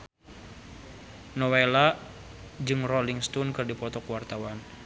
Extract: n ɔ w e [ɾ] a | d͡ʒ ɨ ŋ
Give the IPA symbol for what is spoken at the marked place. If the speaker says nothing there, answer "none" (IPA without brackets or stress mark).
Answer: l